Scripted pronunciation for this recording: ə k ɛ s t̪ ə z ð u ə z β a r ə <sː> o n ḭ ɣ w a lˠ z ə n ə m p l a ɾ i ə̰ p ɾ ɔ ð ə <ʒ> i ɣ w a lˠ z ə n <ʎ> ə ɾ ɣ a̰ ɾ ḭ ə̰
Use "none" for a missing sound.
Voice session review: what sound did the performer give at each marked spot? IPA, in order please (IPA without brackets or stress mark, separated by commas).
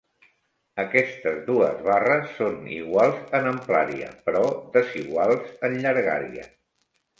sː, z, ʎ